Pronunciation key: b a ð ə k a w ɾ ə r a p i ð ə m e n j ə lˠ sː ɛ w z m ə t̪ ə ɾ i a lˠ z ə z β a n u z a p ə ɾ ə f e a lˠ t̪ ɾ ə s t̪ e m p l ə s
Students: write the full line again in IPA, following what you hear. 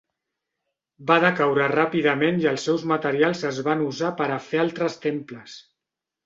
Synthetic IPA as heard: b a ð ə k a w ɾ ə r a p i ð ə m e n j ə lˠ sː ɛ w z m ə t̪ ə ɾ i a lˠ z ə z β a n u z a p ə ɾ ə f e a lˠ t̪ ɾ ə s t̪ e m p l ə s